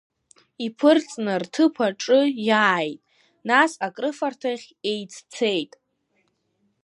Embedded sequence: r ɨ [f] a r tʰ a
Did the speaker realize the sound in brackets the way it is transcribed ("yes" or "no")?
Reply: yes